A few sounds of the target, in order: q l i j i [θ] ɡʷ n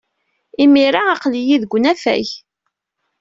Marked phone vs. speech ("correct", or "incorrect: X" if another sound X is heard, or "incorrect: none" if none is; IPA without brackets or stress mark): incorrect: ð